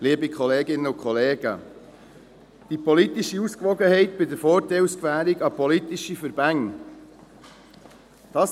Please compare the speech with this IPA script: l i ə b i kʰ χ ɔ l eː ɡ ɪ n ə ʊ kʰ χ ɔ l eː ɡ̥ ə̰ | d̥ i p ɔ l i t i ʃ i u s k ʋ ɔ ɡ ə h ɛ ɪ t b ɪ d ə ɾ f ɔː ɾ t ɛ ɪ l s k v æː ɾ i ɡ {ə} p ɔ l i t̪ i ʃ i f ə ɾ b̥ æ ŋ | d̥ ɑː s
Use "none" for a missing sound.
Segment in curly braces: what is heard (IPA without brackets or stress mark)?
ɑ